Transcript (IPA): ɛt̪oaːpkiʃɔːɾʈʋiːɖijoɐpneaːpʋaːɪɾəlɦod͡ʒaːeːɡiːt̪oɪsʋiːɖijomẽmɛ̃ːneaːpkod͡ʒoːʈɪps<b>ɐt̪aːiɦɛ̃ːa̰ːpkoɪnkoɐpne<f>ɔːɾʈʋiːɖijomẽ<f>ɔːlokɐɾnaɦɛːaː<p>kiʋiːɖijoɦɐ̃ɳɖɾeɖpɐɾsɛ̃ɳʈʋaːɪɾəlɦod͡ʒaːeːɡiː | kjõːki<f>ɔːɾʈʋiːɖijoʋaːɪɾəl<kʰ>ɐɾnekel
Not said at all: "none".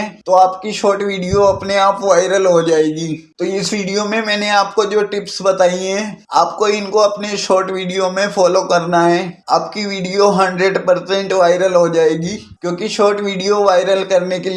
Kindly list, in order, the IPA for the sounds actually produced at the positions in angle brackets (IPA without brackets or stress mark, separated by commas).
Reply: b, ʃ, f, p, ʃ, k